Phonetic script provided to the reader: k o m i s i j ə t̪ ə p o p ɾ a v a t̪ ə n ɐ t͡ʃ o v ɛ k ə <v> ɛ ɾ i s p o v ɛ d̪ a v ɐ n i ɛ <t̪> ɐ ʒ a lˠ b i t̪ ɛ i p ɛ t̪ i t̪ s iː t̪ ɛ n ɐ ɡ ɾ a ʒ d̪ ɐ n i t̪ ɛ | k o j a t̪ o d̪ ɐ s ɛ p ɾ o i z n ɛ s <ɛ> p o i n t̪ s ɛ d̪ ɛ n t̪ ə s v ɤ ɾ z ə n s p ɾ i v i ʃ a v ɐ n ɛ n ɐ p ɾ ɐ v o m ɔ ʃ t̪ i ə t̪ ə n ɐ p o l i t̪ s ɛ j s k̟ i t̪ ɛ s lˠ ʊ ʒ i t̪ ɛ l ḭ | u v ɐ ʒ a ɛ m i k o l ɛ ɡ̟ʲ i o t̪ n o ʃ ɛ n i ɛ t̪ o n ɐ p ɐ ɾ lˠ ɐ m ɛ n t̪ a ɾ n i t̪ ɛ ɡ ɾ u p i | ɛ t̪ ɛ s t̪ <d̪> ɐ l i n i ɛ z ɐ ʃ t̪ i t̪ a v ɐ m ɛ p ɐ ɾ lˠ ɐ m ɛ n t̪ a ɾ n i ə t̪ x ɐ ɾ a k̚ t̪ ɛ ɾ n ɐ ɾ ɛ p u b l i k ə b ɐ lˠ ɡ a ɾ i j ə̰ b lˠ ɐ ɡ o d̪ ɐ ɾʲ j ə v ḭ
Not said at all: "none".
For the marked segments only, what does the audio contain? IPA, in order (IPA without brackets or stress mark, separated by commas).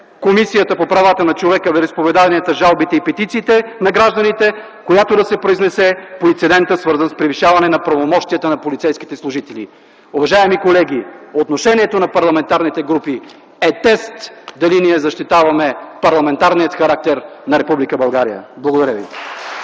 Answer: v, t̪, ɛ, d̪